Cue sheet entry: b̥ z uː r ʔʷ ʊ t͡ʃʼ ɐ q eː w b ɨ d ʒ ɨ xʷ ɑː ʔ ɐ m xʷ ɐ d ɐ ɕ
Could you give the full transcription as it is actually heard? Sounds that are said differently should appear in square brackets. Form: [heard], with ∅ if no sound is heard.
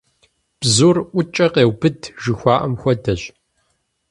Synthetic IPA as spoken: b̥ z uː r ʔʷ ʊ t͡ʃʼ ɐ q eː w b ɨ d ʒ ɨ xʷ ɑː ʔ ɐ m xʷ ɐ d ɐ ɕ